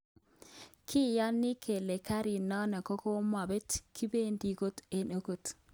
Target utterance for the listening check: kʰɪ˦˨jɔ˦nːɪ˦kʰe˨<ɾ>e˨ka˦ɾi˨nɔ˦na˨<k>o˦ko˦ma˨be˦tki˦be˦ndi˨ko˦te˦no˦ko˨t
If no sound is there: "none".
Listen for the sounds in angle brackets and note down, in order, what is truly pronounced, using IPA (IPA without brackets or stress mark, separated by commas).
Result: l, k